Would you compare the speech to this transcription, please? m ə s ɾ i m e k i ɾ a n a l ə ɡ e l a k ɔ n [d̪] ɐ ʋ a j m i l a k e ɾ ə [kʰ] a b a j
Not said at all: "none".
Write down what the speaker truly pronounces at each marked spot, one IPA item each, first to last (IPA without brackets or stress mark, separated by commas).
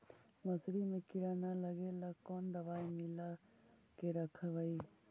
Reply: d̪, kʰ